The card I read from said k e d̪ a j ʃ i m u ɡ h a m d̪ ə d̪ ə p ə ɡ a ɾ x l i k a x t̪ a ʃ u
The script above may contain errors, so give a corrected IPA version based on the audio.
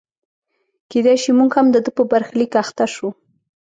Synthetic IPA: k e d̪ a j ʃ i m u ɡ h a m d̪ ə d̪ ə p ə b a ɾ x l i k a x t̪ a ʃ u